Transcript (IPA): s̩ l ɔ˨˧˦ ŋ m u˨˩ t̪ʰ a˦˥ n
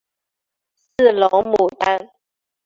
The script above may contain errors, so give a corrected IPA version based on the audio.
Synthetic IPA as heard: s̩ l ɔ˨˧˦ ŋ m u˨˩ t̪ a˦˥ n